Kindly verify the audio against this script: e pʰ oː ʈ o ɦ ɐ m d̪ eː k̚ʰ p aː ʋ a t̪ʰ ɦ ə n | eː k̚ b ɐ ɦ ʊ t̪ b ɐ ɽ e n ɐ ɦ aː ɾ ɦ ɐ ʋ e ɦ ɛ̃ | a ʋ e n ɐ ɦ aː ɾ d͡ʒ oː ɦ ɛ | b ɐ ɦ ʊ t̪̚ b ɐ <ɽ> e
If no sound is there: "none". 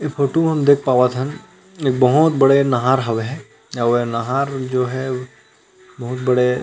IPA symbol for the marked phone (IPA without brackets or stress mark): ɽ